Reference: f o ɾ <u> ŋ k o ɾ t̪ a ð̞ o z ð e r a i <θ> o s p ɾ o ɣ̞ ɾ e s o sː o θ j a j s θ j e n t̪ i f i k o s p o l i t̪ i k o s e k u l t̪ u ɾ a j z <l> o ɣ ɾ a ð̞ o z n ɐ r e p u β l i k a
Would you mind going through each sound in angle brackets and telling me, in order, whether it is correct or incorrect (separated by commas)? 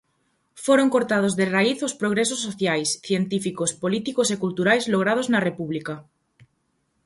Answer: incorrect, correct, correct